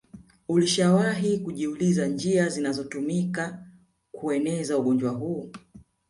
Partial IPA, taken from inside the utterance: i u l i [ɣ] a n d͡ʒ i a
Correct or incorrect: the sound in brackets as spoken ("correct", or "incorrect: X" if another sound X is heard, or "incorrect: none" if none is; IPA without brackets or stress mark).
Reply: incorrect: z